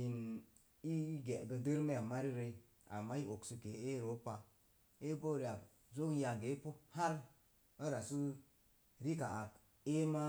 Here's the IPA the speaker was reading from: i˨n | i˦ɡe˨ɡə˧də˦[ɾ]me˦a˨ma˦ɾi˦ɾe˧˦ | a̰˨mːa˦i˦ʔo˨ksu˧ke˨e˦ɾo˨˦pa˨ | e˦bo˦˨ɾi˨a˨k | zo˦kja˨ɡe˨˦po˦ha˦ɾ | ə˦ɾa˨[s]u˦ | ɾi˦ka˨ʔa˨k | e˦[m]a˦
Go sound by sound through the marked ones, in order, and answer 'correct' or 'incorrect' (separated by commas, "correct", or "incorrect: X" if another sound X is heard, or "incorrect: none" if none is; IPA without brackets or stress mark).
correct, correct, correct